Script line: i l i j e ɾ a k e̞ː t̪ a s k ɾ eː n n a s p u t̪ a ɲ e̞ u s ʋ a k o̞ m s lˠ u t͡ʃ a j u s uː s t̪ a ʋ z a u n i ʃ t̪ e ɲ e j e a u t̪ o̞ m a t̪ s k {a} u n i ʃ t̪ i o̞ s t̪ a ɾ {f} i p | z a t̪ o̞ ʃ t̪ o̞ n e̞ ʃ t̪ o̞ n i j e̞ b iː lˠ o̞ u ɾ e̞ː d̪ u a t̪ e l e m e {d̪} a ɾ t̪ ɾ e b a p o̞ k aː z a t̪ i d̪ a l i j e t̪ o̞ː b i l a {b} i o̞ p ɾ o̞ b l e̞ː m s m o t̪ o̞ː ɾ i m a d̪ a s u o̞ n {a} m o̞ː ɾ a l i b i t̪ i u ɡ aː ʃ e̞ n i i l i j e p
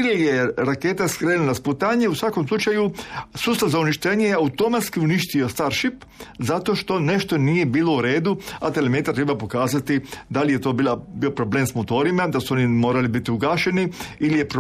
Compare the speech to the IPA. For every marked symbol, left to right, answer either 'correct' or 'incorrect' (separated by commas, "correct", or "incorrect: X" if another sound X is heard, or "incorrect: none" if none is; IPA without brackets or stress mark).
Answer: incorrect: i, incorrect: ʃ, incorrect: t̪, correct, incorrect: i